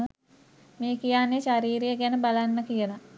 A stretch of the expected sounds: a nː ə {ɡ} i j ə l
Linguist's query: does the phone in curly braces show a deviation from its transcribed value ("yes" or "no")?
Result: yes